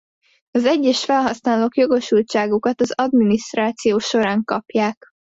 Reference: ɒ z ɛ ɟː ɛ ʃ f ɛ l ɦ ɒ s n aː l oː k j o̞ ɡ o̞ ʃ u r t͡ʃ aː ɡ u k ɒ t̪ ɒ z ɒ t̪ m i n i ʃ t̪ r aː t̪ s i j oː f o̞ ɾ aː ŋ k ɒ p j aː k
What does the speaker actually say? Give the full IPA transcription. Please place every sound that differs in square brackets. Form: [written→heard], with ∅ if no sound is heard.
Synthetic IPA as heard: ɒ z ɛ ɟː ɛ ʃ f ɛ l ɦ ɒ s n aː l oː k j o̞ ɡ o̞ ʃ u [r→l] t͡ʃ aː ɡ u k ɒ t̪ ɒ z ɒ [t̪→d̪] m i n i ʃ t̪ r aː t̪ s i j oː [f→ʃ] o̞ ɾ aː ŋ k ɒ p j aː k